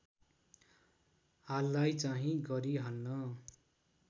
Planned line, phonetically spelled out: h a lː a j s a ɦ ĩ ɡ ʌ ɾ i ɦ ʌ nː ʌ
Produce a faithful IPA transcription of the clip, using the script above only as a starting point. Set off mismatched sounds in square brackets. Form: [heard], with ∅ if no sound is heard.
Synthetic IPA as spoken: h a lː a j [t͡s] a ɦ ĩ ɡ ʌ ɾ i ɦ ʌ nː ʌ